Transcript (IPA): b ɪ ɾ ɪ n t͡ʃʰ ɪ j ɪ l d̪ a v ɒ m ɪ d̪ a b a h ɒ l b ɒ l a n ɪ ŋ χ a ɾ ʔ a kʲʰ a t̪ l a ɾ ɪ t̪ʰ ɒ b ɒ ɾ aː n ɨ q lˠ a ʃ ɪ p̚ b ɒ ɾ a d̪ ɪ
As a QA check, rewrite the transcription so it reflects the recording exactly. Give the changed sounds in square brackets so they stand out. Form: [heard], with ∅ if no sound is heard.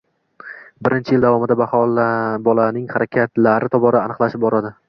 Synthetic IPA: b ɪ ɾ ɪ n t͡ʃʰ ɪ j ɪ l d̪ a v ɒ m ɪ d̪ a b a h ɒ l b ɒ l a n ɪ ŋ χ a ɾ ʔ a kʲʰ a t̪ l a ɾ ɪ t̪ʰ ɒ b ɒ ɾ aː n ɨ q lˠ a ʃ ɪ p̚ b ɒ ɾ a d̪ ɪ